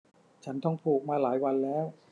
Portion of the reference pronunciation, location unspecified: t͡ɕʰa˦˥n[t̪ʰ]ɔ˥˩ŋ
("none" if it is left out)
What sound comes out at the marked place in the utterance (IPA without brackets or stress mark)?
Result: t̪